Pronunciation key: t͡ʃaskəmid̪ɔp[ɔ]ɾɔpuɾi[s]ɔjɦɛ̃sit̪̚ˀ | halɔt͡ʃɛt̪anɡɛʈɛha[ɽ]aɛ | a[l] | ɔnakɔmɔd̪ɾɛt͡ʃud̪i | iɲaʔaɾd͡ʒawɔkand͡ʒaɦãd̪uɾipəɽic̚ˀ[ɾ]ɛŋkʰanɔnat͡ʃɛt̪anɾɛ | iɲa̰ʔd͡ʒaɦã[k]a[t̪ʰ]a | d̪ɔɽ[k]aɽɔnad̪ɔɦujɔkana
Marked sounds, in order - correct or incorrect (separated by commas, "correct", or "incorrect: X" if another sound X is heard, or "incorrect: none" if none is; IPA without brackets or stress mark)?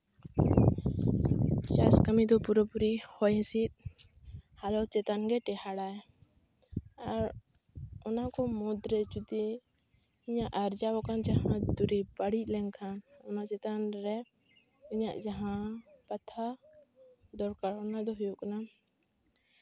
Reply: incorrect: u, incorrect: h, correct, incorrect: ɾ, incorrect: l, incorrect: p, correct, correct